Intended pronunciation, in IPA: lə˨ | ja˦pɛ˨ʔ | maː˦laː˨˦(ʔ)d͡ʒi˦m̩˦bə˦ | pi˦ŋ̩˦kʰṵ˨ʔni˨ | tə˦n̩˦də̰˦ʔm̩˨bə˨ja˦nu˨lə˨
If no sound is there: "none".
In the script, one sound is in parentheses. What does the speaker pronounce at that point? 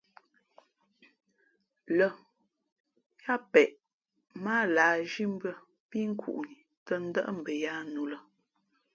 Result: none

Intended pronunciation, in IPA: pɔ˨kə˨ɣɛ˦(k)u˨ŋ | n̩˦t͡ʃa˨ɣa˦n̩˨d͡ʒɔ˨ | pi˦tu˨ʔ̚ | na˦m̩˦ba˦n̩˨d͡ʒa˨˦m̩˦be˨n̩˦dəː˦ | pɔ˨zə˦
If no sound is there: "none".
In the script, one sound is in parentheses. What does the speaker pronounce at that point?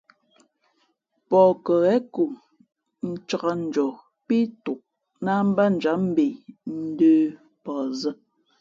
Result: k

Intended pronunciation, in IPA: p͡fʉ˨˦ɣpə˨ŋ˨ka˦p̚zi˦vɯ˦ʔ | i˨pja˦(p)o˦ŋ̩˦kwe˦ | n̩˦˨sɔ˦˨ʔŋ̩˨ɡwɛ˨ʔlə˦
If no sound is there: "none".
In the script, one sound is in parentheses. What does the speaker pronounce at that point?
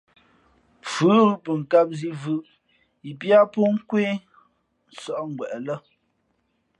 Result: p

